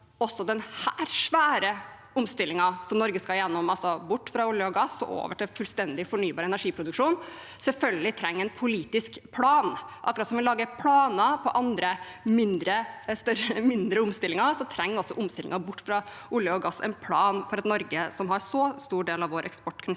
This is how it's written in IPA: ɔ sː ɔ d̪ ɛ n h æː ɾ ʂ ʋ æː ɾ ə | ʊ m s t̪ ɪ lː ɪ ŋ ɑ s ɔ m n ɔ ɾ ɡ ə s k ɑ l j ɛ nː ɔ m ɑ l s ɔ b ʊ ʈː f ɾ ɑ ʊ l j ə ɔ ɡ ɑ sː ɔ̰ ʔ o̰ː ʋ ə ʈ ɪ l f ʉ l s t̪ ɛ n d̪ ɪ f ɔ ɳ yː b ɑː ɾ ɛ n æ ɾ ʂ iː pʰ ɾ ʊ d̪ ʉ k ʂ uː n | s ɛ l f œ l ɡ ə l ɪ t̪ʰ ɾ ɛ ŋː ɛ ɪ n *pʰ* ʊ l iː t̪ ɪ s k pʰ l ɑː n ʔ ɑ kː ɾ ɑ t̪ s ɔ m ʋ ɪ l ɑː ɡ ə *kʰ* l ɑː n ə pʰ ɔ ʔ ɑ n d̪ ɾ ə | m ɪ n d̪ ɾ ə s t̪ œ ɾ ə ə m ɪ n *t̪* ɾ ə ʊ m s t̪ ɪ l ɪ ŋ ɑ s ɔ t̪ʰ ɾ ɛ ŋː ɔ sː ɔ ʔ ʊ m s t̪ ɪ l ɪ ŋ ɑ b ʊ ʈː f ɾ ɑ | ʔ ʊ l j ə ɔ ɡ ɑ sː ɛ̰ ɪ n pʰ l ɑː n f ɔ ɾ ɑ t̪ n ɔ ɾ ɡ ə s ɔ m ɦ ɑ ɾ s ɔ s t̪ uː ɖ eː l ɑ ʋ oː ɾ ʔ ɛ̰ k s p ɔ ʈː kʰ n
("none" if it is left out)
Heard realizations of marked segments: pʰ, pʰ, d̪

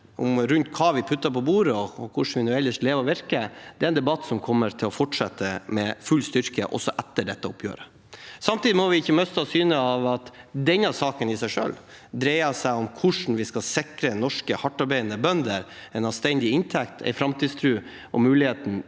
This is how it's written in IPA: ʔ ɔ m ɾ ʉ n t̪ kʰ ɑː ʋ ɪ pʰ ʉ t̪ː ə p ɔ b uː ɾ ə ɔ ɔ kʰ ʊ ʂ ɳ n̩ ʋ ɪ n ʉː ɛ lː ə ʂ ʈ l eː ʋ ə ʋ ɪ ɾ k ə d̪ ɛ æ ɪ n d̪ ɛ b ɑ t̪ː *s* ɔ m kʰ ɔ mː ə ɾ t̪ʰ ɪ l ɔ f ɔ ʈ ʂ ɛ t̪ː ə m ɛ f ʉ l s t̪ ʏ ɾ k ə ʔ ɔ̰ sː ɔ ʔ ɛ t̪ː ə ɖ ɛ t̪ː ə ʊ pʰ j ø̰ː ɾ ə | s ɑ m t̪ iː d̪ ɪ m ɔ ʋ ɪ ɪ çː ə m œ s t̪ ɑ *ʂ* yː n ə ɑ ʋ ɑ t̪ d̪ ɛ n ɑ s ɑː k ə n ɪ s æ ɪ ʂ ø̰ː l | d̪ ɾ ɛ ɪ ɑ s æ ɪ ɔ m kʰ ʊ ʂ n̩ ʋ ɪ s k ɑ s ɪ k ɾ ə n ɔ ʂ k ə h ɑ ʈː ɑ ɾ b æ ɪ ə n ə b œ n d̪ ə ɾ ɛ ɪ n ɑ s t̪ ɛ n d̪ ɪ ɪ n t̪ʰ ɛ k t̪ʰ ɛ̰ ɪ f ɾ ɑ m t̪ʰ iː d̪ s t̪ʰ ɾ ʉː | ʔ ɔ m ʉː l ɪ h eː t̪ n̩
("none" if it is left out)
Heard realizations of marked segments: s, s

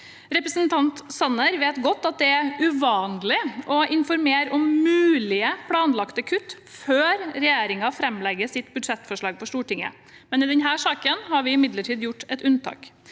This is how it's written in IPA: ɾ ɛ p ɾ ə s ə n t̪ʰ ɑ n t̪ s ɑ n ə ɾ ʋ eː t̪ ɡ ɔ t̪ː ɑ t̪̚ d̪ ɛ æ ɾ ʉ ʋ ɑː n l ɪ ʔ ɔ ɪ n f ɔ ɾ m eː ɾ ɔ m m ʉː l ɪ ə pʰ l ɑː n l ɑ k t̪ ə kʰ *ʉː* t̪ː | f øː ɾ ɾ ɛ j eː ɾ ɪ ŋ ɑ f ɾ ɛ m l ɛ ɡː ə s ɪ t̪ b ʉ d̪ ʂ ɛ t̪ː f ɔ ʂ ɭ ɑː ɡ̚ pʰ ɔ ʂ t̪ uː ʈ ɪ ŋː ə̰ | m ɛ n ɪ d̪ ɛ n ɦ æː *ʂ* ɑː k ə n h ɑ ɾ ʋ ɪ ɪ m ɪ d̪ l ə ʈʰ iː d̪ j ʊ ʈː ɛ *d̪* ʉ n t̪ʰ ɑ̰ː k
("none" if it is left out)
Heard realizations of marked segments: ʉ, ʂ, t̪

